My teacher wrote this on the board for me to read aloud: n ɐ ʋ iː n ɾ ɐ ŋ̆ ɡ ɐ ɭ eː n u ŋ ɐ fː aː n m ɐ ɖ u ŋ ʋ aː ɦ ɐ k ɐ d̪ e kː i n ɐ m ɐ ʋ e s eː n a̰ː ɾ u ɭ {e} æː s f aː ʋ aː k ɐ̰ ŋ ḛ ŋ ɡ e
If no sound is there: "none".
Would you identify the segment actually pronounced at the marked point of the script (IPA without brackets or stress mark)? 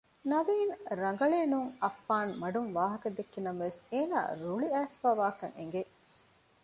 i